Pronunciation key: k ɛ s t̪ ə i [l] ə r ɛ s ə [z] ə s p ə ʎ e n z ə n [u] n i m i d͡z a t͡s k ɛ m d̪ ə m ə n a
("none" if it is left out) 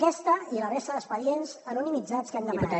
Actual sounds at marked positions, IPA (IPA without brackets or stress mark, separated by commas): l, ð, u